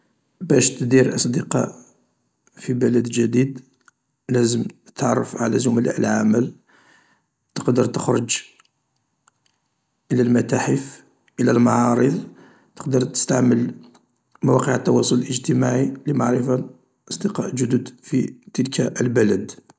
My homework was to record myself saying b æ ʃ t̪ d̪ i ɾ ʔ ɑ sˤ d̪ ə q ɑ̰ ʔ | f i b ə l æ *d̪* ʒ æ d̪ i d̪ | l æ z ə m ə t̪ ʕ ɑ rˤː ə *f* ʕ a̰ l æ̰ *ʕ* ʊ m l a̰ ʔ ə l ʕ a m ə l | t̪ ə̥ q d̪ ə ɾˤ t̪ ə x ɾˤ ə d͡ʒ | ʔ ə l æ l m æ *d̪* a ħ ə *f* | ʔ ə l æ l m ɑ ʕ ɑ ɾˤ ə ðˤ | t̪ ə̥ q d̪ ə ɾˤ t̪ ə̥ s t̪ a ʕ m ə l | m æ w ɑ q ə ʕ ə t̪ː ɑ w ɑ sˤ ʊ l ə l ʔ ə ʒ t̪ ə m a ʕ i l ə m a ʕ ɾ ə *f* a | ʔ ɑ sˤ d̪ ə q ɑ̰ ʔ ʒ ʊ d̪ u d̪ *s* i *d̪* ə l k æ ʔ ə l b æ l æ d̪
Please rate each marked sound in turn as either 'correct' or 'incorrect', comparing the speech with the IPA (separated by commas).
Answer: correct, correct, incorrect, incorrect, correct, correct, incorrect, incorrect